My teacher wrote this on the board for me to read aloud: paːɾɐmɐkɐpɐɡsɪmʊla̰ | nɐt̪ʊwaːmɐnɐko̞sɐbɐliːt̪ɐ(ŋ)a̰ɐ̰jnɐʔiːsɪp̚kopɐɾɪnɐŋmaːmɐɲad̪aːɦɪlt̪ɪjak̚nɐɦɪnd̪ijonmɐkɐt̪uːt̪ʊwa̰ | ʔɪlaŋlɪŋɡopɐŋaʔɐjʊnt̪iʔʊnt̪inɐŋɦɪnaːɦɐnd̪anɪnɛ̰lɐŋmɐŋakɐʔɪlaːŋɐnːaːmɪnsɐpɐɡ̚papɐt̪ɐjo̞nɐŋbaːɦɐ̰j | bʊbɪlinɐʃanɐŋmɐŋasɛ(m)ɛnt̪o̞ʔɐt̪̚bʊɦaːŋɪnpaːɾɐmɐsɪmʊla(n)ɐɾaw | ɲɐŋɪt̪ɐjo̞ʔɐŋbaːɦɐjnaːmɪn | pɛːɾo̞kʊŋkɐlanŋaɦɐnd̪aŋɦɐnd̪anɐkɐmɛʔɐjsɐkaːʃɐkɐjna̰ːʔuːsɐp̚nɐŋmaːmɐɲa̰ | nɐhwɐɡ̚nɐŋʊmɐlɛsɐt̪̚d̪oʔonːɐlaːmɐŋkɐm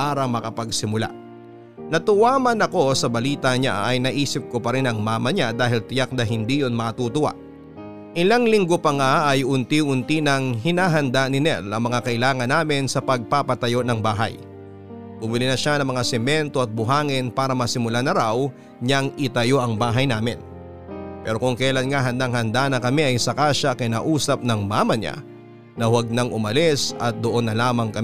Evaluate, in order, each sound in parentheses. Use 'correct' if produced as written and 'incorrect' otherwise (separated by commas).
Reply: incorrect, correct, correct